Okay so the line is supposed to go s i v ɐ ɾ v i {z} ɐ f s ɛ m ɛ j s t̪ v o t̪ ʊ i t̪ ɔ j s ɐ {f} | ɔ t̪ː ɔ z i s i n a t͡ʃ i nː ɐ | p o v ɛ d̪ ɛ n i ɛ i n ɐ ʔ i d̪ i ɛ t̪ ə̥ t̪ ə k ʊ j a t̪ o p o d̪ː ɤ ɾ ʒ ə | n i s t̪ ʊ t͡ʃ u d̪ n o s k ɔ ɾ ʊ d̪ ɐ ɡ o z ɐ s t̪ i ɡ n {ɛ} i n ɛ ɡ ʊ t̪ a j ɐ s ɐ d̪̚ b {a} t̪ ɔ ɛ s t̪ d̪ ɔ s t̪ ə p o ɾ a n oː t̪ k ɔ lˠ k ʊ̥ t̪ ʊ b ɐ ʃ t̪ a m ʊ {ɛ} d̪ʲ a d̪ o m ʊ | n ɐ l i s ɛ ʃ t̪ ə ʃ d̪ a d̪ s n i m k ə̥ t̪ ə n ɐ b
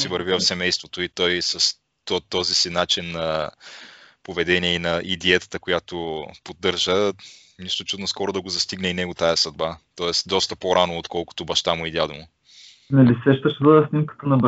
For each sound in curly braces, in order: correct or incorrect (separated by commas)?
incorrect, incorrect, correct, correct, incorrect